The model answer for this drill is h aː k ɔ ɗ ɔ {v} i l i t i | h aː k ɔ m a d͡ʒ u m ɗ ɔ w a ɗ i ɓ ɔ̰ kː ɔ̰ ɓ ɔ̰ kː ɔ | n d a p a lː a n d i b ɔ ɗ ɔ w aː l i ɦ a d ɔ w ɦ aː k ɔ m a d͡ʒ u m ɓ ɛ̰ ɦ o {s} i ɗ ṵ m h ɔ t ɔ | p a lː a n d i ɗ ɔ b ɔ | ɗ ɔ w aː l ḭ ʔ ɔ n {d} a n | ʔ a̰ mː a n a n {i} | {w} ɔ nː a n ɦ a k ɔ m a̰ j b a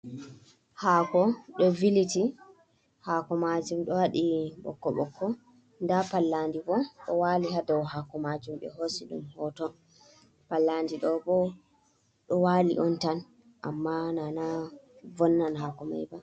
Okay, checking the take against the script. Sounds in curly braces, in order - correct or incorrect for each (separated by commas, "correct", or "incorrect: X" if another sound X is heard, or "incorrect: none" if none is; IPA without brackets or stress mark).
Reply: correct, correct, incorrect: t, incorrect: a, incorrect: v